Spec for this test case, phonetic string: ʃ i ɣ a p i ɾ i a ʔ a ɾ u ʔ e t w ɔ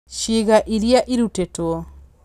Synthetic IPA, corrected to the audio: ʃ i ɣ a ʔ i ɾ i a ʔ i ɾ u t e t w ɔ

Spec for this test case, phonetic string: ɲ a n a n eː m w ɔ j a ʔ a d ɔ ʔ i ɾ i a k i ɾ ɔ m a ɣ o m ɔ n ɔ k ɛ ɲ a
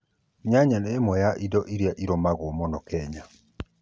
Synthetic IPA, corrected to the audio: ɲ a ɲ a n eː m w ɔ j a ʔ i d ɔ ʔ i ɾ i a ʔ i ɾ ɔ m a ɣ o m ɔ n ɔ k ɛ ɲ a

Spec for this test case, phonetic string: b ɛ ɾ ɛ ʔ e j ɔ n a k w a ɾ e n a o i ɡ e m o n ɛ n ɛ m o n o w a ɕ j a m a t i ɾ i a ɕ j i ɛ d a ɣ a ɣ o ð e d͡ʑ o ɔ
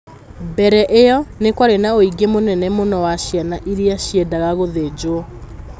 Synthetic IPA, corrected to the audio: b ɛ ɾ ɛ ʔ e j ɔ n e k w a ɾ e n a o i ɡ e m o n ɛ n ɛ m o n ɔ w a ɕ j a n a ʔ i ɾ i a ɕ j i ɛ d a ɣ a ɣ o ð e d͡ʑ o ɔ

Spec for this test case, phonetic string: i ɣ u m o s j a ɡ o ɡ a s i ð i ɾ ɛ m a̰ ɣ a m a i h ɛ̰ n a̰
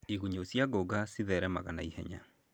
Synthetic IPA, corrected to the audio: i ɣ u ɲ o s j a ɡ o ɡ a s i ð ɛ ɾ ɛ m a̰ ɣ a n a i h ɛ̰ ɲ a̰

